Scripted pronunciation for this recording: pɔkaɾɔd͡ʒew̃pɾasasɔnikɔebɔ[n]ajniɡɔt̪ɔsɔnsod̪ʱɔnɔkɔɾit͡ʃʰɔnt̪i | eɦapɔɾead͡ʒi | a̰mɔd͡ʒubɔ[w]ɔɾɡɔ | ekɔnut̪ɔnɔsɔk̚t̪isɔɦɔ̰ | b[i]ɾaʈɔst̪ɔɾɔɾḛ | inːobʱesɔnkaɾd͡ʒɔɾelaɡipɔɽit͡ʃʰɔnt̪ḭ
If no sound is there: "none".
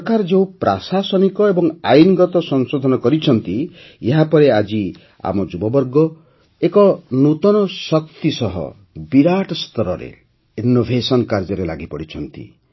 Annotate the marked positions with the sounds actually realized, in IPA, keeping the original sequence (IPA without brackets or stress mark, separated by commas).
ŋ, b, i